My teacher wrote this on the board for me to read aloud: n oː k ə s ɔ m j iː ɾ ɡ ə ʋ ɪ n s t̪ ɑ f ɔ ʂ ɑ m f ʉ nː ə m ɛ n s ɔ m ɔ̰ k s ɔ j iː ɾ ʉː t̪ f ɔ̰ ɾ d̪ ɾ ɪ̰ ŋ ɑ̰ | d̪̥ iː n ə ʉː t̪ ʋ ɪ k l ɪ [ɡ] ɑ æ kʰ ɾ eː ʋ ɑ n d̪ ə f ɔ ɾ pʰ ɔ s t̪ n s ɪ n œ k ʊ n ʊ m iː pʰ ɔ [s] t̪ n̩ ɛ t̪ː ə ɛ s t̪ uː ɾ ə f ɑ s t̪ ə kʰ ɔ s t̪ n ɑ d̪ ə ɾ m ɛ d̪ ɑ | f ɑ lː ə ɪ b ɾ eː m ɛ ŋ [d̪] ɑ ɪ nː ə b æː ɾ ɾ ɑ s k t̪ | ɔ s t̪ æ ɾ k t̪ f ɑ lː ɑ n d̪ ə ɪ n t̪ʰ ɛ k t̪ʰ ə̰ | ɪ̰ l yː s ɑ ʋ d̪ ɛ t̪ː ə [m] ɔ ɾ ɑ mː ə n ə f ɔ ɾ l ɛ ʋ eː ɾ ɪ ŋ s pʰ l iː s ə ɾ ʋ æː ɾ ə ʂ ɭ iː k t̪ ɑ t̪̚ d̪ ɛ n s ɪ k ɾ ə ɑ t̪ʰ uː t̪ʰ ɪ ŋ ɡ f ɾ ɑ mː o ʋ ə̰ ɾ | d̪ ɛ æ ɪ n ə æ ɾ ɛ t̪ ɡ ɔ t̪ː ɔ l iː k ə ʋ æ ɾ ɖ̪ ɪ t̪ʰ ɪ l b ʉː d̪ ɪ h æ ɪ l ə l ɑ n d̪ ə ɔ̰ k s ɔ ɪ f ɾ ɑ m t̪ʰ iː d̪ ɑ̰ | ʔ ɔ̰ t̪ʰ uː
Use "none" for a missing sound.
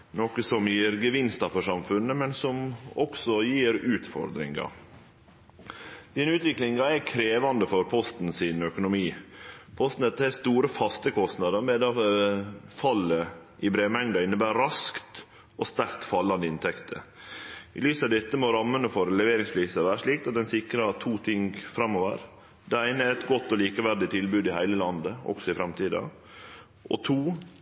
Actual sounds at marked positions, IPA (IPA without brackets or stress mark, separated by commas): ŋ, s, d̪, m